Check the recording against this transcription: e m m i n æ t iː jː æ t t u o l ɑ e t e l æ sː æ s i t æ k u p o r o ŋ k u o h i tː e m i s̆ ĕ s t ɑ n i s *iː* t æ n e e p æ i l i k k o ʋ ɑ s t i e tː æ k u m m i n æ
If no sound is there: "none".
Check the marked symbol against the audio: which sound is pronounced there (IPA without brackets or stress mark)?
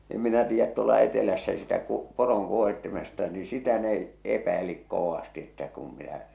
i